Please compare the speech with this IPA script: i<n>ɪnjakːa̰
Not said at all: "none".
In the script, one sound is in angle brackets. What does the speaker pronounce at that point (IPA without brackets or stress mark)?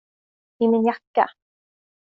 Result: m